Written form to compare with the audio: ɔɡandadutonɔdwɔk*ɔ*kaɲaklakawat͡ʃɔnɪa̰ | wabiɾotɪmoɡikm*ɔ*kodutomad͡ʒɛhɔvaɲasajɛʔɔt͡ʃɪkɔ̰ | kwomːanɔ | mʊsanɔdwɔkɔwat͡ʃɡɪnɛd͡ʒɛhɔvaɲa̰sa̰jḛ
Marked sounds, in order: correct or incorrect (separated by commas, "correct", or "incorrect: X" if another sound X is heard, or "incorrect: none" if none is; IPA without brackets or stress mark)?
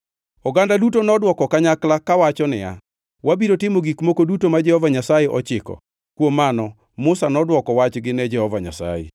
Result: correct, incorrect: o